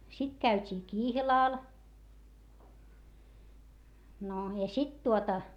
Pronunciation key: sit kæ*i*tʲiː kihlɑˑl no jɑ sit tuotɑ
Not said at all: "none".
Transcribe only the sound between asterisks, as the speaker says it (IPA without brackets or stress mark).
y